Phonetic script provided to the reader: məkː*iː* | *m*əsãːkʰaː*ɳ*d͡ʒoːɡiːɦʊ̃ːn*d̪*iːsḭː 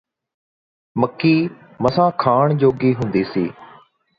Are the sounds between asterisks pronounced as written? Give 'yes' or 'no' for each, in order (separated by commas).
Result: yes, yes, yes, yes